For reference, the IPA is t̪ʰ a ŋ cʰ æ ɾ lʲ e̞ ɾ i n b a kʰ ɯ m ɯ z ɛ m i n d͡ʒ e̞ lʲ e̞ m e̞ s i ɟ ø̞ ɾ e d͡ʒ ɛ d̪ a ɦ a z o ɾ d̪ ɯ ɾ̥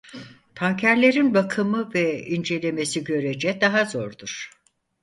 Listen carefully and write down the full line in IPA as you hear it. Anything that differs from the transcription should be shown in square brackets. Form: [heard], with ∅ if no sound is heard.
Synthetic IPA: t̪ʰ a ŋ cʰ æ ɾ lʲ e̞ ɾ i n b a kʰ ɯ m ɯ [v] ɛ [∅] i n d͡ʒ e̞ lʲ e̞ m e̞ s i ɟ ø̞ ɾ e d͡ʒ ɛ d̪ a ɦ a z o ɾ d̪ [u] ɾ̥